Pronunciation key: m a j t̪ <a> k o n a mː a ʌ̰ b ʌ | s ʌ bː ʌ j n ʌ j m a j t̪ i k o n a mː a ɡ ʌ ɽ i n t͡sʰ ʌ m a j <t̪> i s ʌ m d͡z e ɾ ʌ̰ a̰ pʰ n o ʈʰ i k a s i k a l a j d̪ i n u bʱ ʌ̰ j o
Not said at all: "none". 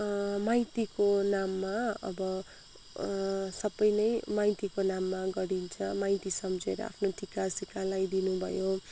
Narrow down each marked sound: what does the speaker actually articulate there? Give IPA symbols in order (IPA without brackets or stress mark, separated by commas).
i, t̪